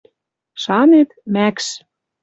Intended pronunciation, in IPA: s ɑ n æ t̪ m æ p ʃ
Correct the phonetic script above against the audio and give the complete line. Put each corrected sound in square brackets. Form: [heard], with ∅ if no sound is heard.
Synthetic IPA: [ʃ] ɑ n [e] t̪ m æ [k] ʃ